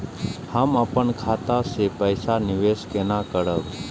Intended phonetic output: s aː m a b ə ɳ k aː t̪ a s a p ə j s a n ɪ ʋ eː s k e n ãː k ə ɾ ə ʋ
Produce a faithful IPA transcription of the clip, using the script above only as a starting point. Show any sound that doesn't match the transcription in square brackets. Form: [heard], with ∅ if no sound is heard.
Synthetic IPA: [h] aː m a [p] ə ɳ [kʰ] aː t̪ a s [e] p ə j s a n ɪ ʋ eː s k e n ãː k ə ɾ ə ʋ